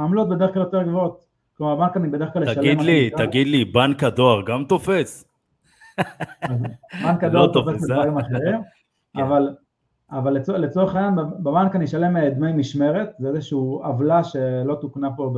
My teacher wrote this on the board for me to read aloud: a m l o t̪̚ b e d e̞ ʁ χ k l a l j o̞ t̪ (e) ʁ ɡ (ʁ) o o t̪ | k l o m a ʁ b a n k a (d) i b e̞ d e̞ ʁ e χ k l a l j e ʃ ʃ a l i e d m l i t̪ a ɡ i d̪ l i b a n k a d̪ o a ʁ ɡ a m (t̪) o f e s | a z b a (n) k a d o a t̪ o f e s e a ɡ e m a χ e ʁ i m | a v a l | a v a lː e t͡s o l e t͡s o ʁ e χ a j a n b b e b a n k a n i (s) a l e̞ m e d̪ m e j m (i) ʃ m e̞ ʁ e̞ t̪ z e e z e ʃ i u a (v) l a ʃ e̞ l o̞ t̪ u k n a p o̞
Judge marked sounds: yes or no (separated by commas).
yes, no, no, yes, yes, no, yes, yes